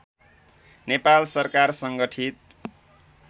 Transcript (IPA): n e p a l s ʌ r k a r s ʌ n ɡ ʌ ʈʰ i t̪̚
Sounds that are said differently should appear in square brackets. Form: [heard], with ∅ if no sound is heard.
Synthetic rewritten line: n e p a l s ʌ r k a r s ʌ [ŋ] ɡ ʌ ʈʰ i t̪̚

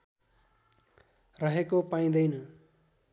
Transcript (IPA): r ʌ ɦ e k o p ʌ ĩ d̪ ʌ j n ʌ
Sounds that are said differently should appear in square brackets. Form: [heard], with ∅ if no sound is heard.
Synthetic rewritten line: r ʌ ɦ e k o p [a] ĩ d̪ ʌ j n ʌ

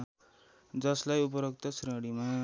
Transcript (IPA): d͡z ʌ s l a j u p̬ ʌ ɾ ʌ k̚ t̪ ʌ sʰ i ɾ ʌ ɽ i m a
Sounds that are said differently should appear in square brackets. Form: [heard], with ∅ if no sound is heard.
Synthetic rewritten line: d͡z ʌ s l a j u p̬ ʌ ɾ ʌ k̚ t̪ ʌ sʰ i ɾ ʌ ɽ i m a

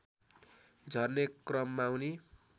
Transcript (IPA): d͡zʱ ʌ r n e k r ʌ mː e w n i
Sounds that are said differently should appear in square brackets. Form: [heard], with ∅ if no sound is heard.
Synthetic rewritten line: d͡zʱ ʌ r n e k r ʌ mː [a] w n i

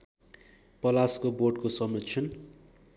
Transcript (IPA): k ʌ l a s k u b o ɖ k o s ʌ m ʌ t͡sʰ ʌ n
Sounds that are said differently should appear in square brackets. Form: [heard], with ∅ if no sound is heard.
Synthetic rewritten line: [p] ʌ l a s k [o] b o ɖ k o s ʌ m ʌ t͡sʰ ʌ n

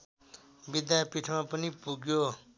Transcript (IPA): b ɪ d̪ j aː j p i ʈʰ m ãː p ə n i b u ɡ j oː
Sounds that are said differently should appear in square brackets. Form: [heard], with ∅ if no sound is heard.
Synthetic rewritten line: b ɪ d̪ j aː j p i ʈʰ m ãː p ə n i [p] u ɡ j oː

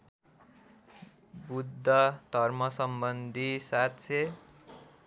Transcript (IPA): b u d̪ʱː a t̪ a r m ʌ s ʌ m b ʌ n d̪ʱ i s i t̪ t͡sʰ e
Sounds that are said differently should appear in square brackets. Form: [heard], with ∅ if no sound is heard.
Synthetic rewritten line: b u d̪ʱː [ʌ] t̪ [ʌ] r m ʌ s ʌ m b ʌ n d̪ʱ i s [a] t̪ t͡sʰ e

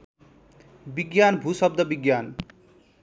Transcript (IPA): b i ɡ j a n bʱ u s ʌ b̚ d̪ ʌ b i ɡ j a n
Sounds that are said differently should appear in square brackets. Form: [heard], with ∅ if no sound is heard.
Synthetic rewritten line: b i ɡ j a n bʱ u s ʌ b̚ d̪ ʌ b i ɡ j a n

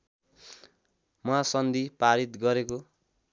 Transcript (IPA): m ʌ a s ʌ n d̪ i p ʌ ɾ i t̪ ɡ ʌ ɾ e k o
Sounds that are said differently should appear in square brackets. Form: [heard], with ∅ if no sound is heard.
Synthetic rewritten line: m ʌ a s ʌ n d̪ i p [a] ɾ i t̪ ɡ ʌ ɾ e k o

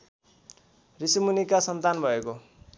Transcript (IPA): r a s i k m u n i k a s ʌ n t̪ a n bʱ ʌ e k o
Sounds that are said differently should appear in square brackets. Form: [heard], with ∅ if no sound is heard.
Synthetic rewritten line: r [i] s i [∅] m u n i k a s ʌ n t̪ a n bʱ ʌ e k o

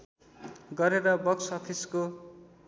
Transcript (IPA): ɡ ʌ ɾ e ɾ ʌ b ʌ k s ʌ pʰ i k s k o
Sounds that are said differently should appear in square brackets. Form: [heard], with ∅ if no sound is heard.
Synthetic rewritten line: ɡ ʌ ɾ e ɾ ʌ b ʌ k s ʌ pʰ i [∅] s k o

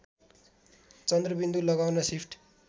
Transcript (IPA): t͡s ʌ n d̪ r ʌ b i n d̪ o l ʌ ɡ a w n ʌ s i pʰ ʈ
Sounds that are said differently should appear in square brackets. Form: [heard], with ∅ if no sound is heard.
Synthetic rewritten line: t͡s ʌ n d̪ r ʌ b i n d̪ [u] l ʌ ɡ a w n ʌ s i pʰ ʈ

